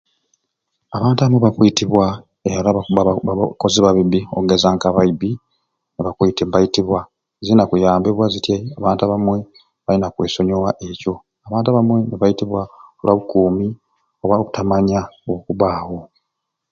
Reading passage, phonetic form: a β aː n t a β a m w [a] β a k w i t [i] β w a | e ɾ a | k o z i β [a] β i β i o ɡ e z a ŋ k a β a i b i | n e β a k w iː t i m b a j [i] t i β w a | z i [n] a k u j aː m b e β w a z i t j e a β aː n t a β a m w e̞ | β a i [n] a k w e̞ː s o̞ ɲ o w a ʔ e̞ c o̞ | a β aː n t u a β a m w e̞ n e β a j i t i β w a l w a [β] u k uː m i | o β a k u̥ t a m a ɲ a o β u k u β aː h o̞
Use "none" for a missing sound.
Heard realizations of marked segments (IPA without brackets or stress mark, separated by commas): e, i, a, i, n, n, β